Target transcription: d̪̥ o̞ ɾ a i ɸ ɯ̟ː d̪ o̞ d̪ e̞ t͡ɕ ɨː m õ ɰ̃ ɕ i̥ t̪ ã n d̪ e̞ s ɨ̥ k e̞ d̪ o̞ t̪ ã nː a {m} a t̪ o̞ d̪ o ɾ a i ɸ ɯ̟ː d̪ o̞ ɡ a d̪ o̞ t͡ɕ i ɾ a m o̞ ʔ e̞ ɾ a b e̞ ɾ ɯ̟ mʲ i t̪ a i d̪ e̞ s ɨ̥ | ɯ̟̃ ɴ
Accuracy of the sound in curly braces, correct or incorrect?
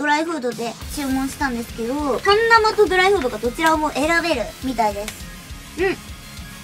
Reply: correct